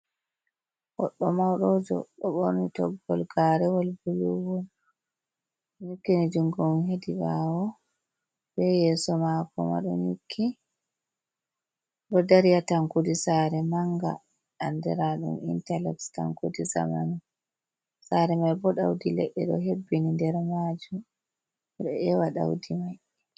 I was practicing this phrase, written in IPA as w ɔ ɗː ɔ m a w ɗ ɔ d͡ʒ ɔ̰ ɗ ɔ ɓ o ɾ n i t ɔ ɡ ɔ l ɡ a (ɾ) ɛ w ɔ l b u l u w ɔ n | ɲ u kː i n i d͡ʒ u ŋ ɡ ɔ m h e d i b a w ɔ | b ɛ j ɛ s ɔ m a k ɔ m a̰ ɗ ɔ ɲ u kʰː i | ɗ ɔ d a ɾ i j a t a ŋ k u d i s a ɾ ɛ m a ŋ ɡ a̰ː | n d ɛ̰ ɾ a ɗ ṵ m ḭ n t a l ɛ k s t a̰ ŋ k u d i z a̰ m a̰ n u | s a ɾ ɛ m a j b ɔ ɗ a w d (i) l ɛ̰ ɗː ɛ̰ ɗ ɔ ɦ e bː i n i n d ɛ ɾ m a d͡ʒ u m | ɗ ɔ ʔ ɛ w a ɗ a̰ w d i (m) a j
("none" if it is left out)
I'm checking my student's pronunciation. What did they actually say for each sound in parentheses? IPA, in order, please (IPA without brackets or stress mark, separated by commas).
ɾ, i, m